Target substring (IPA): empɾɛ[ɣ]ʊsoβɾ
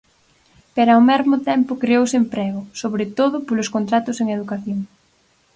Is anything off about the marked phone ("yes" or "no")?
no